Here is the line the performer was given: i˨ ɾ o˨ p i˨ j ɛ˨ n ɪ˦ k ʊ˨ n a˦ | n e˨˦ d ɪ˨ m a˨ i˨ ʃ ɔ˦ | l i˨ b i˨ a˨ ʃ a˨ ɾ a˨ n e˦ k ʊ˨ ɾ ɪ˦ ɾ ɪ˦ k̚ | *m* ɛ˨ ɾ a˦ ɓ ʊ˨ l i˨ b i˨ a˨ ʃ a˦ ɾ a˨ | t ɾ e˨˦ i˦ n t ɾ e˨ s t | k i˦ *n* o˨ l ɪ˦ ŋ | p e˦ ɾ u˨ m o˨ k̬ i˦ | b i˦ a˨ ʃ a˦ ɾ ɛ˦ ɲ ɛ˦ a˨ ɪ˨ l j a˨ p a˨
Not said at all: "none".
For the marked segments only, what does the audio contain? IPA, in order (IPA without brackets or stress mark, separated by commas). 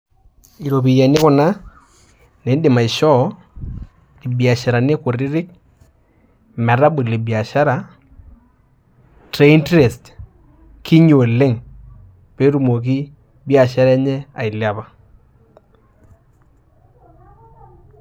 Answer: m, ɲ